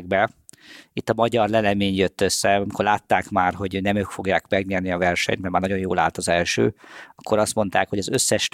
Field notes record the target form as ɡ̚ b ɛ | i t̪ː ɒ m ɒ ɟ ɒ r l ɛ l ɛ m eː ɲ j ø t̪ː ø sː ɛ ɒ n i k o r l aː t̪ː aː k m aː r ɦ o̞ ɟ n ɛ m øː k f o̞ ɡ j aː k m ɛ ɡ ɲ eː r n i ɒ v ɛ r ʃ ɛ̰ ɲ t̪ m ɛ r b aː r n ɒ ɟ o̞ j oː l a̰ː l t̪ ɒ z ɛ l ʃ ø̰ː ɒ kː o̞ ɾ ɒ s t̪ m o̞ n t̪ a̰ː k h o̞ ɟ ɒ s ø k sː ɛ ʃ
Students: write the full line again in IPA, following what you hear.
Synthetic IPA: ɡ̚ b ɛ | i t̪ː ɒ m ɒ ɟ ɒ r l ɛ l ɛ m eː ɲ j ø t̪ː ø sː ɛ ɒ m i k o r l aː t̪ː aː k m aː r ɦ o̞ ɟ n ɛ m øː k f o̞ ɡ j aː k m ɛ ɡ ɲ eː r n i ɒ v ɛ r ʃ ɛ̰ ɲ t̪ m ɛ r m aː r n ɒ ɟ o̞ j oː l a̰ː l t̪ ɒ z ɛ l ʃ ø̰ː ɒ kː o̞ ɾ ɒ s t̪ m o̞ n t̪ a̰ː k h o̞ ɟ ɒ z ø sː ɛ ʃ